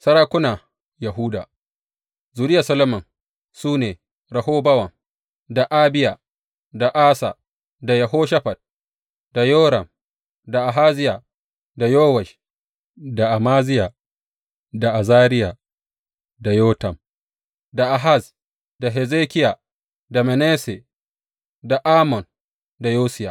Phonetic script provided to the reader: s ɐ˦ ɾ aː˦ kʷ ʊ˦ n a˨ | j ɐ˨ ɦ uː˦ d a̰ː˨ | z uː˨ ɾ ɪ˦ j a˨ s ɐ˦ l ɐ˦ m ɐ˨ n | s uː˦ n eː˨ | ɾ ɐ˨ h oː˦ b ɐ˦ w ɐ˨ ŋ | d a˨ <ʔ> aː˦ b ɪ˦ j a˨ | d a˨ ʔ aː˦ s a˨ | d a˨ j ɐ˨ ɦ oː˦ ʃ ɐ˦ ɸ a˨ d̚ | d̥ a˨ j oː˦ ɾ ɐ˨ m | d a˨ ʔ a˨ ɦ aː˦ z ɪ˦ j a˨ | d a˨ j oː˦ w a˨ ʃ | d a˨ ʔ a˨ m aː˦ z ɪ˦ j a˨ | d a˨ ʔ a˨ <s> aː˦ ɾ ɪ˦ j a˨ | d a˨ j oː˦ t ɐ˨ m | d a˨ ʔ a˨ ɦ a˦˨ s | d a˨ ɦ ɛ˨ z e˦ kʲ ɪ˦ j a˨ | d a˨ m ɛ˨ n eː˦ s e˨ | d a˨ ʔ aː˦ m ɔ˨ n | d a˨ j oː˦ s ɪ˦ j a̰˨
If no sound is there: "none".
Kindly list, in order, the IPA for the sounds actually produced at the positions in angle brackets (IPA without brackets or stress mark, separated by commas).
ʔ, z